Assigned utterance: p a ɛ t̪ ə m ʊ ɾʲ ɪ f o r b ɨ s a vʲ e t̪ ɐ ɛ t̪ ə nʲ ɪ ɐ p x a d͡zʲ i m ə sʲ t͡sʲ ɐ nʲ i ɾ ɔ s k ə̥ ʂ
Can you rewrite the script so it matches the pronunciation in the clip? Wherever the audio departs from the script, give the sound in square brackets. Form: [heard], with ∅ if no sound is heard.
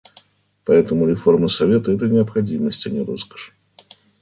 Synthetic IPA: p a ɛ t̪ ə m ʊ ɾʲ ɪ f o r [m] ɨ s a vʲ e t̪ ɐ ɛ t̪ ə nʲ ɪ ɐ p x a d͡zʲ i m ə sʲ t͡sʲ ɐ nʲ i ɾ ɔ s k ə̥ ʂ